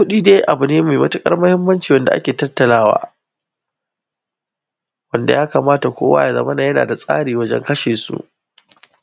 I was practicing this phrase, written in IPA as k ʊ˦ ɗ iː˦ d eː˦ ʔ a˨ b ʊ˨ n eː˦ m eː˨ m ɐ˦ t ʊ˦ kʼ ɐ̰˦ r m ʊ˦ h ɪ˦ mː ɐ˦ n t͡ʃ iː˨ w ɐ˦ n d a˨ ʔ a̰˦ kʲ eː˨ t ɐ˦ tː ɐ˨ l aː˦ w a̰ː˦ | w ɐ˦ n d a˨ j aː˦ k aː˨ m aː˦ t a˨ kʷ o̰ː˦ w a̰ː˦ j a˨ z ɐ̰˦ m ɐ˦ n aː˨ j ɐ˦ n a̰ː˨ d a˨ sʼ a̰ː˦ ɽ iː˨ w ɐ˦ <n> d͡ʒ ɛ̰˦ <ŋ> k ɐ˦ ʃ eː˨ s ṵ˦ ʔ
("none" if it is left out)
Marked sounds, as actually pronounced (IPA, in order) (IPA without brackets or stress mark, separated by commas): none, ŋ